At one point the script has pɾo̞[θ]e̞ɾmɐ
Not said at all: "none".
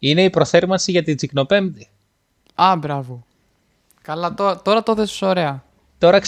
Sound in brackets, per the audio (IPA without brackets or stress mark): θ